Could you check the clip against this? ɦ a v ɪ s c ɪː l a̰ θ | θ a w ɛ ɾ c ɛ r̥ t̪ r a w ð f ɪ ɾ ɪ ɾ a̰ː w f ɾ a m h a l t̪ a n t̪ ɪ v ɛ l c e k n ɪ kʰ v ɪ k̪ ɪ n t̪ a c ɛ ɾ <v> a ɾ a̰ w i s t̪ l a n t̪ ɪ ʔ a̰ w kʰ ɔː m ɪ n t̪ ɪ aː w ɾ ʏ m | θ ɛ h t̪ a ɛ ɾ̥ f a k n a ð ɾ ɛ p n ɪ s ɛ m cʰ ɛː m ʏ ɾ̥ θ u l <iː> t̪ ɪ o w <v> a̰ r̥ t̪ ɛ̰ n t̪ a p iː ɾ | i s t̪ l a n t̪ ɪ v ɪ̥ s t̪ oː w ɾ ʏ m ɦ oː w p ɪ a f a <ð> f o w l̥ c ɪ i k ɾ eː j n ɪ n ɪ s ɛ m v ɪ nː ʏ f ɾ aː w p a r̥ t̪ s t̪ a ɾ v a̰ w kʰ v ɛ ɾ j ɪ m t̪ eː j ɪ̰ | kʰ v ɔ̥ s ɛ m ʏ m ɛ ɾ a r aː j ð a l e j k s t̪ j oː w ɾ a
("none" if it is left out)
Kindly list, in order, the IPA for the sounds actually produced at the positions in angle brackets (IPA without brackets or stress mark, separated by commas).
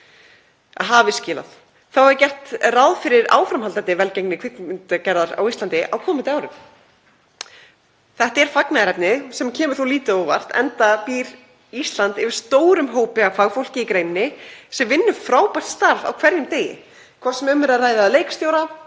ð, iː, v, ɣ